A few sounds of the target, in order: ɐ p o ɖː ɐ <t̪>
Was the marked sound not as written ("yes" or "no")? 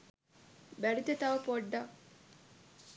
yes